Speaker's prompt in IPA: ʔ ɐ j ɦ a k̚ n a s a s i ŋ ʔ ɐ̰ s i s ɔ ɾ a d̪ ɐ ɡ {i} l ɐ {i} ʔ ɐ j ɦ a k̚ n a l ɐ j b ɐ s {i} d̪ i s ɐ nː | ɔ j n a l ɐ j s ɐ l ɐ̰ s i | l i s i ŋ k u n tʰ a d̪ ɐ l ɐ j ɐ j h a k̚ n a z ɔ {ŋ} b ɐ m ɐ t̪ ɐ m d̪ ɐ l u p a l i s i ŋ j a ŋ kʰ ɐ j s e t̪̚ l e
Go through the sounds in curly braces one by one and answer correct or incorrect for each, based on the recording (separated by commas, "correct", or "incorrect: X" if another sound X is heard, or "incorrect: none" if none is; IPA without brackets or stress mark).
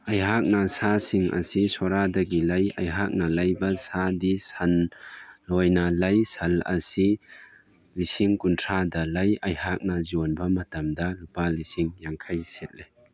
correct, incorrect: j, incorrect: a, incorrect: n